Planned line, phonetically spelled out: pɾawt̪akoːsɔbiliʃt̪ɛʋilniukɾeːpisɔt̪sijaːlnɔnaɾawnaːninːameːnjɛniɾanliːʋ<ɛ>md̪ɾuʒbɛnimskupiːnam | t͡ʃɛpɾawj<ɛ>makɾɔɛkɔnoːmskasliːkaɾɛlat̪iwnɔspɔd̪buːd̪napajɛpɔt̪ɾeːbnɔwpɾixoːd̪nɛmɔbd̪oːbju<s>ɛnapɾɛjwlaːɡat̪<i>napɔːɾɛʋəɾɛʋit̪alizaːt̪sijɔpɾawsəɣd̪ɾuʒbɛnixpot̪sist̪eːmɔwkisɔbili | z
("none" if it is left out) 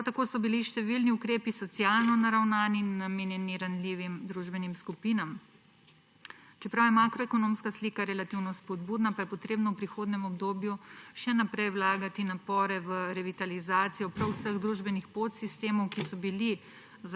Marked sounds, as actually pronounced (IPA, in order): i, ɛ, ʃ, i

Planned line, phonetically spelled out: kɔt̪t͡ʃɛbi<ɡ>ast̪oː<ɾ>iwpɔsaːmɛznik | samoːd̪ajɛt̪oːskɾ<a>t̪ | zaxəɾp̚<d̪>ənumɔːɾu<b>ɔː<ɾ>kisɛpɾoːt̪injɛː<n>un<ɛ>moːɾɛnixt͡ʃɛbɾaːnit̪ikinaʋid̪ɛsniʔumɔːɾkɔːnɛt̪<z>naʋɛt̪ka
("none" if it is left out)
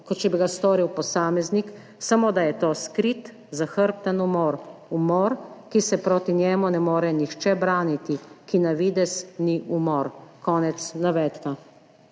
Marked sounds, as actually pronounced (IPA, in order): ɡ, ɾ, i, t̪, m, ɾ, m, ɛ, s

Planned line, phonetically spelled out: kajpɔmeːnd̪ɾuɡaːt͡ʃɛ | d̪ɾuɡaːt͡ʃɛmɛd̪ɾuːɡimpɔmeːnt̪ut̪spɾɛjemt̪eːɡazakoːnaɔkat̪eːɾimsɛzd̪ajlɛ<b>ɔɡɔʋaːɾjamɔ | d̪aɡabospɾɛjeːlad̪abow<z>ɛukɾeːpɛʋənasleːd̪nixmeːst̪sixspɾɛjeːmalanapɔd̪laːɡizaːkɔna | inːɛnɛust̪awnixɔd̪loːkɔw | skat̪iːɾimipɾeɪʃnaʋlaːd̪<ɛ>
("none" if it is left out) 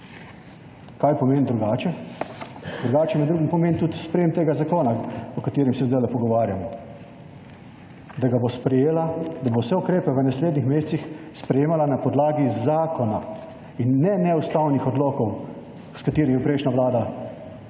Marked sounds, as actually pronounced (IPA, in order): p, s, a

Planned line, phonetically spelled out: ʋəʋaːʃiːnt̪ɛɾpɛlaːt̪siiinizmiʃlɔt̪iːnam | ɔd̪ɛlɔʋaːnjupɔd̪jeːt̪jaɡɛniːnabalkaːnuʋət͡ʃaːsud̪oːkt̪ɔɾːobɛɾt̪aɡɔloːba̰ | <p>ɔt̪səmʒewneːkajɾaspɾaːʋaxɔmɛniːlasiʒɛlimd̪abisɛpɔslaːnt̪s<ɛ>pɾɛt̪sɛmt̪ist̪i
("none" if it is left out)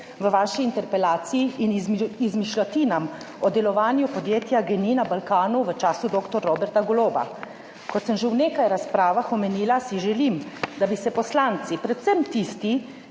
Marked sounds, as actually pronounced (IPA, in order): k, i

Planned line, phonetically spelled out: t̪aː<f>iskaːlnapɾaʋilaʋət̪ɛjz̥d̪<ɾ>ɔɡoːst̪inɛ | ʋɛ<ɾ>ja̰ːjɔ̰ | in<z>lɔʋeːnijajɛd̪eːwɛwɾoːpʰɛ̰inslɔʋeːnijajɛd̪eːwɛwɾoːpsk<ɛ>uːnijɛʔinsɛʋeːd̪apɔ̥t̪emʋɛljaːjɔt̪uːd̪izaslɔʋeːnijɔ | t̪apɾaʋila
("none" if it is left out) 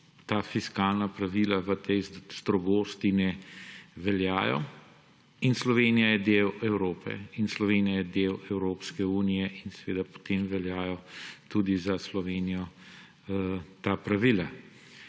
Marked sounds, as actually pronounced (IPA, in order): f, ɾ, l, s, ɛ

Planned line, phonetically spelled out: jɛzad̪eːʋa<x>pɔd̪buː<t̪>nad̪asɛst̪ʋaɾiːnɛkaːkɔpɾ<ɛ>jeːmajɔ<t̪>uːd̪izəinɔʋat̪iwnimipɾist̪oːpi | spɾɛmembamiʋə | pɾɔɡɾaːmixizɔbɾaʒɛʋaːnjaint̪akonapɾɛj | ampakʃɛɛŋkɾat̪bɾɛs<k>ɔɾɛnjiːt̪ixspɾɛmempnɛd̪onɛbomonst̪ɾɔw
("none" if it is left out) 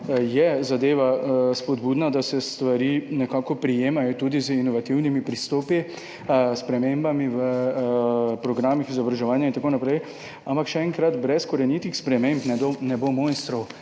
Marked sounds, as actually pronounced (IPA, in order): s, d̪, i, t̪, k

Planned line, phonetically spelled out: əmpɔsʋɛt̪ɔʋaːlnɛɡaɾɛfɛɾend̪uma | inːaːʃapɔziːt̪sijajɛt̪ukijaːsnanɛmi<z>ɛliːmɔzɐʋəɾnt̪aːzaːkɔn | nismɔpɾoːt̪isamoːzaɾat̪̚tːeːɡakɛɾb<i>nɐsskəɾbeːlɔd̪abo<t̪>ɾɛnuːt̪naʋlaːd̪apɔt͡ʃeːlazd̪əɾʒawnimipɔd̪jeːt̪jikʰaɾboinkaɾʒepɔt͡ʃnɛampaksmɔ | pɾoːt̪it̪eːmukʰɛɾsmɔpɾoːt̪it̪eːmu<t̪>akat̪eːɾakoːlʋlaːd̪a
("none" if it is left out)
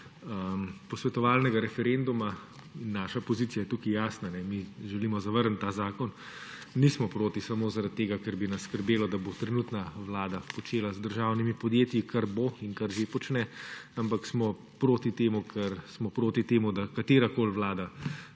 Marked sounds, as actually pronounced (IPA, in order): ʒ, i, t̪, d̪

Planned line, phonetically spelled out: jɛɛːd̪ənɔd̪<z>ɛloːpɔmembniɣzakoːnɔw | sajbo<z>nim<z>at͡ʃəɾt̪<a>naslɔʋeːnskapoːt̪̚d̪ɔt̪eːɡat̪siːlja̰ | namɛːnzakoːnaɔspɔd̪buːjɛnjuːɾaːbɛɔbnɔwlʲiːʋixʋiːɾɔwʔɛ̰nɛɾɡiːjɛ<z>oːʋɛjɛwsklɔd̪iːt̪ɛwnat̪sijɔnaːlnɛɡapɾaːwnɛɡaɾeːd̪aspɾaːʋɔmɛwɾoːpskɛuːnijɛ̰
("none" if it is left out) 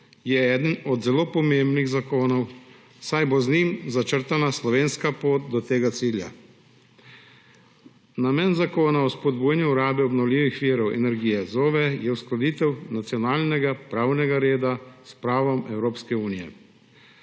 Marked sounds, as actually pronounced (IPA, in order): z, z, z, a, z

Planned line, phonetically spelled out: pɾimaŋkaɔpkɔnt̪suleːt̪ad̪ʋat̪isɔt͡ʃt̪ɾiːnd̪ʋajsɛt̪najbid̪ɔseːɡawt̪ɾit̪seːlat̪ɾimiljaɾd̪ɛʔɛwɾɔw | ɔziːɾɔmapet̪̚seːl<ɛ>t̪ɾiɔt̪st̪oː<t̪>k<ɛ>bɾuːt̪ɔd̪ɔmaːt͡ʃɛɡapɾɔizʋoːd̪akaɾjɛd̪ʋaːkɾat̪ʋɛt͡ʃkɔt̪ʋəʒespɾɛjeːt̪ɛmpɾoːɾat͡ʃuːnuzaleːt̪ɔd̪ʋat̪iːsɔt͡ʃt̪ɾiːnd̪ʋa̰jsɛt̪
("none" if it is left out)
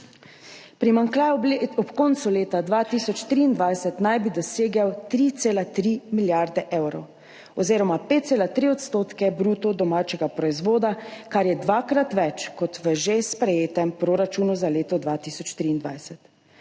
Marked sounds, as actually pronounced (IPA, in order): a, t̪, ɛ

